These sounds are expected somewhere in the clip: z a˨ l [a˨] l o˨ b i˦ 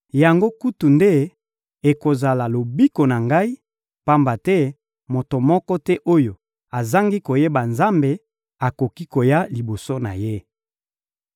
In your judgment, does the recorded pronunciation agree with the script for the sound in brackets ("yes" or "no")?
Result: yes